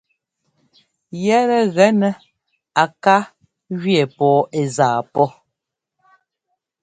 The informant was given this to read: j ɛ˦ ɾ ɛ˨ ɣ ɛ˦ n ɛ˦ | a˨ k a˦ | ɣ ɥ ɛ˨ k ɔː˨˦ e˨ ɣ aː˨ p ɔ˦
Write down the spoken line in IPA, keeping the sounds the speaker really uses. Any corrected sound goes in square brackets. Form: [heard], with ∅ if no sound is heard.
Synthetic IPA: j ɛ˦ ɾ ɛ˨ ɣ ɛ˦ n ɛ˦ | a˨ k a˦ | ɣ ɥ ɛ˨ [p] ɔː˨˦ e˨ [z] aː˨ p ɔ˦